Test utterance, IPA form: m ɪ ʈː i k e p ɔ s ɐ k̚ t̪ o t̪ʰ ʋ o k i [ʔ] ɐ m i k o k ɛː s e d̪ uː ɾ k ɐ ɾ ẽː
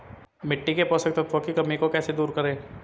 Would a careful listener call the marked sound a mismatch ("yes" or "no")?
yes